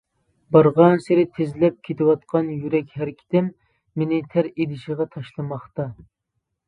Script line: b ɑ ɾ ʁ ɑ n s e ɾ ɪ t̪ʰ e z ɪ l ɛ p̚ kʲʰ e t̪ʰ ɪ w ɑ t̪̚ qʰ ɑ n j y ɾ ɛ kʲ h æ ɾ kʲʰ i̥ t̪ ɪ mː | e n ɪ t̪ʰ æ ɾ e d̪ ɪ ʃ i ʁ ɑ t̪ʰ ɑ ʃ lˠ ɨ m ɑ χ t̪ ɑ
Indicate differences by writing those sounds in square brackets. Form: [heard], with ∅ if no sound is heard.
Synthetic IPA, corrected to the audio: b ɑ ɾ ʁ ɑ n s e ɾ ɪ t̪ʰ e z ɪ l ɛ p̚ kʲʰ e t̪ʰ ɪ w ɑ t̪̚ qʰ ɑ n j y ɾ ɛ kʲ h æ ɾ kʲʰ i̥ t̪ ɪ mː | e n ɪ t̪ʰ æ ɾ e d̪ ɪ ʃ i ʁ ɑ t̪ʰ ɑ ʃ lˠ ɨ m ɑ χ t̪ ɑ

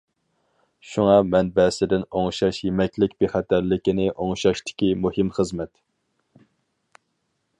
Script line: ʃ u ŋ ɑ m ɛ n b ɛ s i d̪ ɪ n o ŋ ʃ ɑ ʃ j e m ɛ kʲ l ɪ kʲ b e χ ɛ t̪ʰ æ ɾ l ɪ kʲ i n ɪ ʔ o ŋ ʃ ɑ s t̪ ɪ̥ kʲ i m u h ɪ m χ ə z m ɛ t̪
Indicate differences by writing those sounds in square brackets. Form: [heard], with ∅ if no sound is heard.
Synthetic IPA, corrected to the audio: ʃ u ŋ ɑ m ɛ n b ɛ s [ɪ] d̪ ɪ n o ŋ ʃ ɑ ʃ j e m ɛ kʲ l ɪ kʲ b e χ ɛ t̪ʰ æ ɾ l ɪ kʲ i n ɪ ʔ o ŋ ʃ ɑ [ʃ] t̪ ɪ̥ kʲ i m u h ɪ m χ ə z m ɛ t̪

